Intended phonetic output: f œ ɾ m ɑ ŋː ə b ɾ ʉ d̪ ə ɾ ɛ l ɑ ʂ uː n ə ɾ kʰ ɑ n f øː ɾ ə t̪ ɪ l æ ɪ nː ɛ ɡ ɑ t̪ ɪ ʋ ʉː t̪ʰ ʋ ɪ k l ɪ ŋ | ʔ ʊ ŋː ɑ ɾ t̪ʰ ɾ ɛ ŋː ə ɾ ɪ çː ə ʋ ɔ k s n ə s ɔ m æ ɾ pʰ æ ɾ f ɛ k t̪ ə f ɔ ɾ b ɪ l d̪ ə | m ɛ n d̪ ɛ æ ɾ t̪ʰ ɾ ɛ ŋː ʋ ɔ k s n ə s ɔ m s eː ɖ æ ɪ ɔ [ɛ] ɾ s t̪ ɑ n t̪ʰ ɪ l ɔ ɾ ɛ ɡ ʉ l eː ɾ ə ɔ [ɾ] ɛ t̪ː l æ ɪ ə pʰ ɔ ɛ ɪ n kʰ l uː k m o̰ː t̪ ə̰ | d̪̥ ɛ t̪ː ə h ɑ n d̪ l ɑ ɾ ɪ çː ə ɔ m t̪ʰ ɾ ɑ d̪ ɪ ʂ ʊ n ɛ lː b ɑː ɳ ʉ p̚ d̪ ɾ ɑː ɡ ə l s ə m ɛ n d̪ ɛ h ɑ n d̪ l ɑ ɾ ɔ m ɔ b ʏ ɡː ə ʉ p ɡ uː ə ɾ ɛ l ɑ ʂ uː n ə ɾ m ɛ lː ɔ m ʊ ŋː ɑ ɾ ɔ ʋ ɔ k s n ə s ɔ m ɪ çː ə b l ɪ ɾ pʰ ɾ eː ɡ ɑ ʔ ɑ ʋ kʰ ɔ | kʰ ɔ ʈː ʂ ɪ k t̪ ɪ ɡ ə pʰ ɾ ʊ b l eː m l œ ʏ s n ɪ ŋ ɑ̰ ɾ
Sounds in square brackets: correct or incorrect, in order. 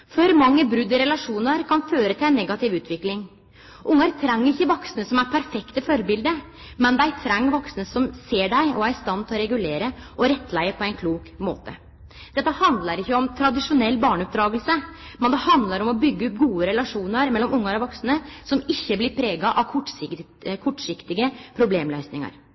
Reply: incorrect: æ, correct

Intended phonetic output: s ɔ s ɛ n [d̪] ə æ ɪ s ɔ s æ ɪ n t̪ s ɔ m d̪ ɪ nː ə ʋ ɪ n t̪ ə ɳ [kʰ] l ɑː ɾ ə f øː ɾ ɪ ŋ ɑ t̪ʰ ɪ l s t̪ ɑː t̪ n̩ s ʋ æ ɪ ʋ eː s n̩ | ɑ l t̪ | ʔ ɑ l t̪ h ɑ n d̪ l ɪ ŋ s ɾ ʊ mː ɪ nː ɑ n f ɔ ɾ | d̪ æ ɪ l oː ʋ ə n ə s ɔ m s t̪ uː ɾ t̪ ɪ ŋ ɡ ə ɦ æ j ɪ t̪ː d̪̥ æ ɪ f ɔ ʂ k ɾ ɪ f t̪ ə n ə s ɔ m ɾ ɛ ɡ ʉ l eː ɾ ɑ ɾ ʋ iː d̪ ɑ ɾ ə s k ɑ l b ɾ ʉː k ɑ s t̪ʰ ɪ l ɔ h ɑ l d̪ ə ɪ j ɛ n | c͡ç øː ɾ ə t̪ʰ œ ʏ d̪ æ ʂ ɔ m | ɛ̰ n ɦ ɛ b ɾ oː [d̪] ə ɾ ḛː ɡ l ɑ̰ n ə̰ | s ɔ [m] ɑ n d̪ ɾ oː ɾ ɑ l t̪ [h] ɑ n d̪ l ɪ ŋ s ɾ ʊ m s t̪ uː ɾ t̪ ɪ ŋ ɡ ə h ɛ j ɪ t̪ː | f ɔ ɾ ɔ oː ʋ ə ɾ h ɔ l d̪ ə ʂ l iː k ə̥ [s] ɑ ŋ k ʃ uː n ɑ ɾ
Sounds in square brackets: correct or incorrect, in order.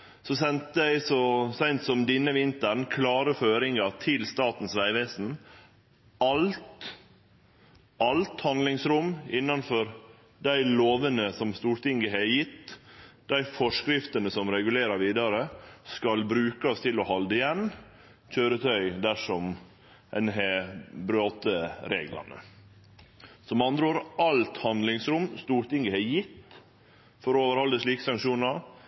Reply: incorrect: t̪, correct, incorrect: t̪, correct, correct, correct

